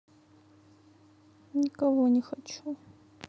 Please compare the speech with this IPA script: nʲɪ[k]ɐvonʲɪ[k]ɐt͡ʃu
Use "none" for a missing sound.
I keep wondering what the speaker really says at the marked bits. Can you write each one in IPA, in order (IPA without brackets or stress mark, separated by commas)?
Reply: k, x